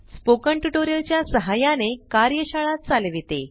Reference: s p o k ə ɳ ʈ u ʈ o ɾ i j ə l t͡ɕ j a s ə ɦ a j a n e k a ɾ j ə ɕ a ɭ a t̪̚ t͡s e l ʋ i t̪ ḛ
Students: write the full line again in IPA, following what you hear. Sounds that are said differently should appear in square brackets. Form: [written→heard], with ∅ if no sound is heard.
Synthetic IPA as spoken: s p o k ə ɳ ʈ u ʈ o ɾ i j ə l t͡ɕ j a s ə ɦ a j a n e k a ɾ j ə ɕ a ɭ a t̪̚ t͡s [e→a] l ʋ i t̪ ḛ

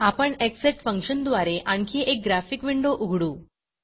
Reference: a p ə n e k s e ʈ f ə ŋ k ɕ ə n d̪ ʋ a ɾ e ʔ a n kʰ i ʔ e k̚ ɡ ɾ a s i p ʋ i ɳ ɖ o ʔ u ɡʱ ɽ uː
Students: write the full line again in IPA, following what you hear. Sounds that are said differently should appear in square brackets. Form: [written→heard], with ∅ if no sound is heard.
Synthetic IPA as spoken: a p ə [n→ɳ] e k s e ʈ f ə ŋ k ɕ ə n d̪ ʋ a ɾ e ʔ a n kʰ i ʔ e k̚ ɡ ɾ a [s→f] i [p→k] ʋ i ɳ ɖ o ʔ u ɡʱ ɽ uː

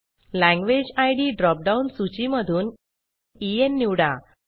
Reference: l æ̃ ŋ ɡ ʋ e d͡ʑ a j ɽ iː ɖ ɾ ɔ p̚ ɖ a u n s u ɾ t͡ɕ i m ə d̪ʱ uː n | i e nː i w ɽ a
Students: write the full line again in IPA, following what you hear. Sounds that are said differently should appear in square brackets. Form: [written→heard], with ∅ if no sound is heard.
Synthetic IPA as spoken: l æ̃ ŋ ɡ ʋ e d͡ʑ a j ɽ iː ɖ ɾ ɔ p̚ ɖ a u n s u [ɾ→∅] t͡ɕ i m ə d̪ʱ uː n | i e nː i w ɽ a

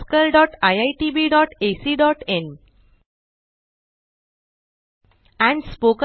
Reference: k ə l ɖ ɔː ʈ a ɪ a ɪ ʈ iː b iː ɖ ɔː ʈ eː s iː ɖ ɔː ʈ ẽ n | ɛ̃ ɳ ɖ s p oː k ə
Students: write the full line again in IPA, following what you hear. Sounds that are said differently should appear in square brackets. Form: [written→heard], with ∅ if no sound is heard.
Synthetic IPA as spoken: k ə l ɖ ɔː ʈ a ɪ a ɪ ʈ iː b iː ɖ ɔː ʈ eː s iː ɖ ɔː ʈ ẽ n | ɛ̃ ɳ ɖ s p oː k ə

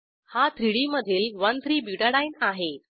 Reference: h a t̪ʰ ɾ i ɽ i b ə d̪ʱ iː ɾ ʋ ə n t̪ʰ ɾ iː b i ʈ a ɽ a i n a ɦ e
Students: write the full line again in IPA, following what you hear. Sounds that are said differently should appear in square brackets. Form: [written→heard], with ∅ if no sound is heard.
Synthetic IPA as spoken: h a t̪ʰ ɾ i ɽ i [b→m] ə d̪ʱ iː [ɾ→l] ʋ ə n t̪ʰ ɾ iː b i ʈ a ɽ a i n a ɦ e

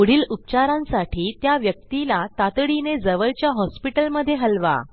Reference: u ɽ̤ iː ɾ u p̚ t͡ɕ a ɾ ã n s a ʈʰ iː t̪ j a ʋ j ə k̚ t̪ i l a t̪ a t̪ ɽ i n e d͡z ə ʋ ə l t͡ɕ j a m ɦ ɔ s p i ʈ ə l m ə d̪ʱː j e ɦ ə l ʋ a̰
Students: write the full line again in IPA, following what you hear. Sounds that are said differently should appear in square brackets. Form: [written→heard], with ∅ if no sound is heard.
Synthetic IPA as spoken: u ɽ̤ iː [ɾ→l] u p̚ t͡ɕ a ɾ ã n s a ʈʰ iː t̪ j a ʋ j ə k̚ t̪ i l a t̪ a t̪ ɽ i n e d͡z ə ʋ ə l t͡ɕ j a [m→∅] ɦ ɔ s p i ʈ ə l m ə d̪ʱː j e ɦ ə l ʋ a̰

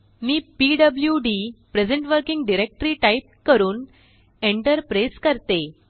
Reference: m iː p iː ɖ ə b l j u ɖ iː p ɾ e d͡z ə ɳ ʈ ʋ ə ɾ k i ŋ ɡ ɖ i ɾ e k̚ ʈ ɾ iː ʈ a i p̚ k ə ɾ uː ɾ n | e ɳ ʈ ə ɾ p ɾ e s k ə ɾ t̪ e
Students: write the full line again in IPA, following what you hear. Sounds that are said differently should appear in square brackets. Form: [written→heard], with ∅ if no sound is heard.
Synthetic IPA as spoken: m iː p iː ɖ ə b l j u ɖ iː p ɾ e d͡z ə ɳ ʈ ʋ ə ɾ k i ŋ ɡ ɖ i ɾ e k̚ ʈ ɾ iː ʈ a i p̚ k ə ɾ uː [ɾ→∅] n | e ɳ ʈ ə ɾ p ɾ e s k ə ɾ t̪ e

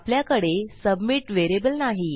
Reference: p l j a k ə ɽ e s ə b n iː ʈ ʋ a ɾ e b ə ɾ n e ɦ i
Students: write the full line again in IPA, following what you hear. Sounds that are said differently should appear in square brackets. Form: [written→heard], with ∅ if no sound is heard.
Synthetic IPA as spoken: p l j a k ə ɽ e s ə b [n→m] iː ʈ ʋ [a→e] ɾ e b ə [ɾ→l] n [e→a] ɦ i

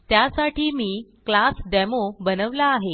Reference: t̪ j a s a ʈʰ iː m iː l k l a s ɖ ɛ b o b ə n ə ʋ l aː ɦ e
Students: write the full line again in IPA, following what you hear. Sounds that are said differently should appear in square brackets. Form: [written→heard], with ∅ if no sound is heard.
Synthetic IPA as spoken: t̪ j a s a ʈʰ iː m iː [l→∅] k l a s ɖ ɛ [b→m] o b ə n ə ʋ l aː ɦ e

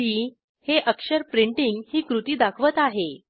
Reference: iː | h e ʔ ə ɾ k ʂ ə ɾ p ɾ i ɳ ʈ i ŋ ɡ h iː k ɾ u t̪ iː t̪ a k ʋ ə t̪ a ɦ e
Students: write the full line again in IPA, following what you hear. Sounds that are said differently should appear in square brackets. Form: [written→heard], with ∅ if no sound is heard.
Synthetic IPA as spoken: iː | h e ʔ ə [ɾ→∅] k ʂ ə ɾ p ɾ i ɳ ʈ i ŋ ɡ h iː k ɾ u t̪ iː [t̪→d̪] a [k→kʰ] ʋ ə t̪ a ɦ e

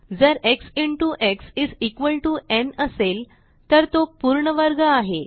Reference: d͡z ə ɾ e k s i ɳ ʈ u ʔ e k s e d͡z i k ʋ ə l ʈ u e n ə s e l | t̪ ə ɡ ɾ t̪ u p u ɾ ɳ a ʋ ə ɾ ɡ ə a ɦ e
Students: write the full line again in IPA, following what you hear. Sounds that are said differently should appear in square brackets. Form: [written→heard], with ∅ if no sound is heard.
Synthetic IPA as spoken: d͡z ə ɾ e k s i ɳ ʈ u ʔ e k s [e→i] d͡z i k ʋ ə l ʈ u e n ə s e l | t̪ ə [ɡ→∅] ɾ t̪ [u→o] p u ɾ ɳ [a→ə] ʋ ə ɾ ɡ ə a ɦ e

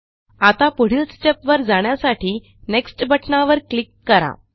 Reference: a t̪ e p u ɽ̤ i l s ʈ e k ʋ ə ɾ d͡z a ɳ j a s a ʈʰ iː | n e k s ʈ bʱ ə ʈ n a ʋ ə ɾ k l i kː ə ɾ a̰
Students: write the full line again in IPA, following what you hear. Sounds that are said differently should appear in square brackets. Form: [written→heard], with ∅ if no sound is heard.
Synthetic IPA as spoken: a t̪ [e→a] p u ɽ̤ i l s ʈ e [k→p] ʋ ə ɾ d͡z a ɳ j a s a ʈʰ iː | n e k s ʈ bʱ ə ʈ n a ʋ ə ɾ k l i kː ə ɾ a̰

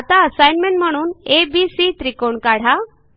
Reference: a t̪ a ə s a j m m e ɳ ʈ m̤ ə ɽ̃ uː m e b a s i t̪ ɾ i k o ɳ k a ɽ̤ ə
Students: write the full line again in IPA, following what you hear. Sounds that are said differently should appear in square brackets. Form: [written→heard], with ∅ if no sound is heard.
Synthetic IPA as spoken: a t̪ a ə s a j [m→n] m e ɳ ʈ m̤ ə ɽ̃ uː [m→n] e b [a→i] s i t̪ ɾ i k o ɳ k a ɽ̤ [ə→a]

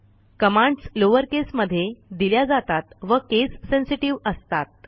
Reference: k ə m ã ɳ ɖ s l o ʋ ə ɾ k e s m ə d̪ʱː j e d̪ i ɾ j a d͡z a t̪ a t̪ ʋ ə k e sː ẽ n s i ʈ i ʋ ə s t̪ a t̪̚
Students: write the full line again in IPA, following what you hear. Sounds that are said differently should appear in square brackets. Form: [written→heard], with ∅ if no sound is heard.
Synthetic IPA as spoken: k ə m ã ɳ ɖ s l o ʋ ə ɾ k e s m ə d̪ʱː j e d̪ i [ɾ→l] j a d͡z a t̪ a t̪ ʋ ə k e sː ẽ n s i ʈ i ʋ ə s t̪ a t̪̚

